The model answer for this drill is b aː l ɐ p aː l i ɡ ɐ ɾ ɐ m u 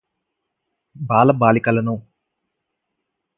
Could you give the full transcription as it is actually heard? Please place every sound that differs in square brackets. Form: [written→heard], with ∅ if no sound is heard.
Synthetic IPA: b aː l ɐ [p→b] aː l i [ɡ→k] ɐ [ɾ→l] ɐ [m→n] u